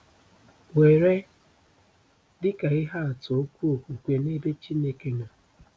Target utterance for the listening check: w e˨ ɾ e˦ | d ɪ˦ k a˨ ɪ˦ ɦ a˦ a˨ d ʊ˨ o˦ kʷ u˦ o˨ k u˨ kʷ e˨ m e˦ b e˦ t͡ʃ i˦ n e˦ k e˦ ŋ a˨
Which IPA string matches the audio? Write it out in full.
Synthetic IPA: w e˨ ɾ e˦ | d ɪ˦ k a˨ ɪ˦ ɦ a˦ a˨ t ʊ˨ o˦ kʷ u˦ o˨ k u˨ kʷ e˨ n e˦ b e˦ t͡ʃ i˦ n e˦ k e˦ ŋ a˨